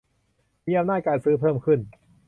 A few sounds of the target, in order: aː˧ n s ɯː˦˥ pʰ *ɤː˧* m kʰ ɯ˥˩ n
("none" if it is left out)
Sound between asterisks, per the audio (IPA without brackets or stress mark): ɤː˥˩